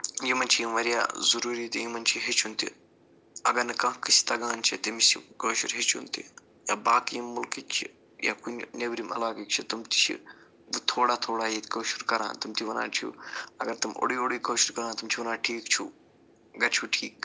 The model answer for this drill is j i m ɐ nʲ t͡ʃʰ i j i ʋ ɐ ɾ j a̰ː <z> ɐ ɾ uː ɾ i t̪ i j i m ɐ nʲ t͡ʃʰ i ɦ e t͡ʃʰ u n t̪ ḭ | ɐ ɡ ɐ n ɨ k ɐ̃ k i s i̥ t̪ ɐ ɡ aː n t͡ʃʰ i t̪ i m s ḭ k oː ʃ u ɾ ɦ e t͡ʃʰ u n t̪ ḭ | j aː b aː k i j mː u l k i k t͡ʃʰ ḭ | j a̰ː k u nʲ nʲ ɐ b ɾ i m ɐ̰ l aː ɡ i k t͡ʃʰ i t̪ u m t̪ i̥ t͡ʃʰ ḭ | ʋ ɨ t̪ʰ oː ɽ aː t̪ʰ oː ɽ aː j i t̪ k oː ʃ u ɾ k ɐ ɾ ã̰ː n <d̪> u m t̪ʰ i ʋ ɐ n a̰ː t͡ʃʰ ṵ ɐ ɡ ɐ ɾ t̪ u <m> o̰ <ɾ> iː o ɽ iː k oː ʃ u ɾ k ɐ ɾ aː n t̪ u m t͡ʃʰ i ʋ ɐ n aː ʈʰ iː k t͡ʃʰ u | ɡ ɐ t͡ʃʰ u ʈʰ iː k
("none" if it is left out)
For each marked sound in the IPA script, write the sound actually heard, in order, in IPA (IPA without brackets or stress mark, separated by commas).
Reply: z, t̪, m, ɽ